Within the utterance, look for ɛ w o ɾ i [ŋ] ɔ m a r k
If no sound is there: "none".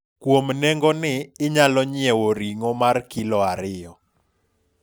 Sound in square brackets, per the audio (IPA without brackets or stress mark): ŋ